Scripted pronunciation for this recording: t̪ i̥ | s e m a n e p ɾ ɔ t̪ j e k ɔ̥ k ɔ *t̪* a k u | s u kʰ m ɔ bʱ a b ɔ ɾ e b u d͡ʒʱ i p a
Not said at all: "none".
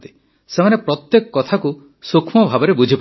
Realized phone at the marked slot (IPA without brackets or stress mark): t̪ʰ